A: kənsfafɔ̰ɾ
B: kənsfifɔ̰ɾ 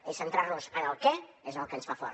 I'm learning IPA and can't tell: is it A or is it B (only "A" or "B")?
A